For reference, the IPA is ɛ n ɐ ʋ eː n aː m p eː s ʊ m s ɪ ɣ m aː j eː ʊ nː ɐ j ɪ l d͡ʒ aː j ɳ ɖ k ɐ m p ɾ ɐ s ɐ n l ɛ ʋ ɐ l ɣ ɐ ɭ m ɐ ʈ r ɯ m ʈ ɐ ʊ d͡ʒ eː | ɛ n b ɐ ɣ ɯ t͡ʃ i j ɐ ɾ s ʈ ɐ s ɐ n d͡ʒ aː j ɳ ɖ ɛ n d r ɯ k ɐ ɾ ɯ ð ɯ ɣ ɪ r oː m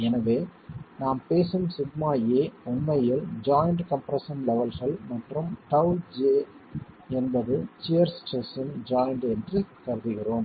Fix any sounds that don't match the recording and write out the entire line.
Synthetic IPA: ɛ n ɐ ʋ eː n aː m p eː s ɯ m s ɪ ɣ m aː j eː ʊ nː ɐ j ɪ l d͡ʒ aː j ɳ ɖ k ɐ m p ɾ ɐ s ɐ n l ɛ ʋ ɐ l ɣ ɐ ɭ m ɐ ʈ r ɯ m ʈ ɐ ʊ d͡ʒ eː | ɛ n b ɐ ð ɯ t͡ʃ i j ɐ ɾ s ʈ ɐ s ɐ n d͡ʒ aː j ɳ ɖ ɛ n d r ɯ k ɐ ɾ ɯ ð ɯ ɣ ɪ r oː m